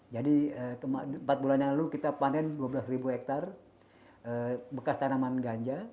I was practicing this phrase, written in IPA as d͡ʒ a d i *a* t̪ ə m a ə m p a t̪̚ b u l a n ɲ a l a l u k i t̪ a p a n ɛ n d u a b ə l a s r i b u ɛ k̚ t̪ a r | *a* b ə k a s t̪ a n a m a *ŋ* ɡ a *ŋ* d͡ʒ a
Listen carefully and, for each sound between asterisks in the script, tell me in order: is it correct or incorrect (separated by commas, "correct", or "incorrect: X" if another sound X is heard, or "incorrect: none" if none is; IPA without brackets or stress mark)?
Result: incorrect: ə, incorrect: ə, incorrect: n, incorrect: ɲ